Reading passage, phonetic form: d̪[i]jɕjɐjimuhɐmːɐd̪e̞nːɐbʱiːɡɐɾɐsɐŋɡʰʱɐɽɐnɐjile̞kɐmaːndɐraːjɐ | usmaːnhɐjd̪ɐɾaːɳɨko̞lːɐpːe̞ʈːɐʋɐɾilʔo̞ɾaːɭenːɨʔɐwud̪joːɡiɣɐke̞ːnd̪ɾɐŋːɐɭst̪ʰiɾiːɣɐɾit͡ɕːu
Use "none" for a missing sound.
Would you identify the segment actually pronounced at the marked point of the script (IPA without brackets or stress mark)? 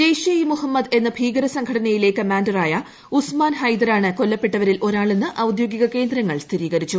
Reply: e